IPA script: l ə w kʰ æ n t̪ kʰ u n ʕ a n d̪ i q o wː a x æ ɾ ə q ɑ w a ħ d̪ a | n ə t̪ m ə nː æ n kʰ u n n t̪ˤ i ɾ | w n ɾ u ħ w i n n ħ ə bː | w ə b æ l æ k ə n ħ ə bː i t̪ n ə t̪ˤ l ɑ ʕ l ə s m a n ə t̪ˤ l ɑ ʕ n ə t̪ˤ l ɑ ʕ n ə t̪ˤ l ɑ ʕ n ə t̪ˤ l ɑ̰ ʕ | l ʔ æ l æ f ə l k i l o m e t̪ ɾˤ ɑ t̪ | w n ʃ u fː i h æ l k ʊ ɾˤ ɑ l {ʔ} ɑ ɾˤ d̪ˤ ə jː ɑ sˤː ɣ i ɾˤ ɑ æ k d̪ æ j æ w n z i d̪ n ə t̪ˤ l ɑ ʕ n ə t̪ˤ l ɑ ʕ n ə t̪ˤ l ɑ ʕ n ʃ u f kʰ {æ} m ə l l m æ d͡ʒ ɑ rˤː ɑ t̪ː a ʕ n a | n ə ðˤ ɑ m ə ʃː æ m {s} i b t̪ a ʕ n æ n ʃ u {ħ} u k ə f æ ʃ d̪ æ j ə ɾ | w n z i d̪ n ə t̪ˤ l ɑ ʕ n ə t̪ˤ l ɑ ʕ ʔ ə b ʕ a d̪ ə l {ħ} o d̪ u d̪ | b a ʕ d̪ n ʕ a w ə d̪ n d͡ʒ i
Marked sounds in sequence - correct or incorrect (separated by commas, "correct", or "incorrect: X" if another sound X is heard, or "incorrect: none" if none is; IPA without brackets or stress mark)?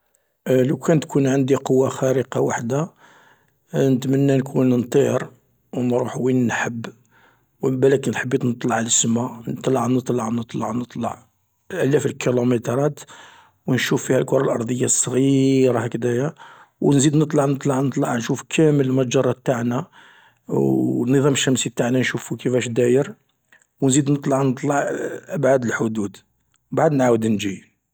correct, correct, correct, incorrect: f, correct